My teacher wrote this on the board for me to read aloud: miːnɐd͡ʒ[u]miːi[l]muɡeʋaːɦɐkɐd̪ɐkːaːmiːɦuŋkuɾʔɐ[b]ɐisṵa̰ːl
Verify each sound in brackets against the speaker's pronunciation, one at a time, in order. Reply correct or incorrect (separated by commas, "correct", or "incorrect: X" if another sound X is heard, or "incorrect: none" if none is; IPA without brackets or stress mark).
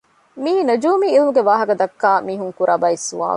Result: incorrect: uː, correct, correct